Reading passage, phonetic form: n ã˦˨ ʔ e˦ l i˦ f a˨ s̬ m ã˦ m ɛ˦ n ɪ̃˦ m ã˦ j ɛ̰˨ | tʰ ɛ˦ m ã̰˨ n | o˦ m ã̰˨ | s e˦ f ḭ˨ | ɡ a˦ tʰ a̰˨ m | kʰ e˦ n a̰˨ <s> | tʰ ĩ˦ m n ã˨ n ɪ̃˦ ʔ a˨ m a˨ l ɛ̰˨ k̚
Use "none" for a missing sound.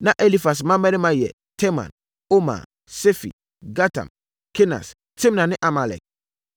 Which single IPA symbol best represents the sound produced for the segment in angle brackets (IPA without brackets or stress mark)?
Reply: s